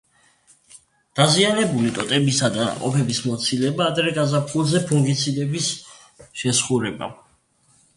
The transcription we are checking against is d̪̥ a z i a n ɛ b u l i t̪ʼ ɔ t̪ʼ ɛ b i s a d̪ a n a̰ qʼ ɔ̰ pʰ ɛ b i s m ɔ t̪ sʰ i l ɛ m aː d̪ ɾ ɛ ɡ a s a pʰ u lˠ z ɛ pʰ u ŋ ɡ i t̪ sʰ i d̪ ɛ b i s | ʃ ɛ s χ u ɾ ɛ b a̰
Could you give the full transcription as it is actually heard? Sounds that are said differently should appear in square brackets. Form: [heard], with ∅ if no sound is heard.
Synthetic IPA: d̪̥ a z i a n ɛ b u l i t̪ʼ ɔ t̪ʼ ɛ b i s a d̪ a n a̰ qʼ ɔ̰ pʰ ɛ b i s m ɔ t̪ sʰ i l ɛ [b] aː d̪ ɾ ɛ ɡ a [z] a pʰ u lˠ z ɛ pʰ u ŋ ɡ i t̪ sʰ i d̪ ɛ b i s | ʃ ɛ s χ u ɾ ɛ b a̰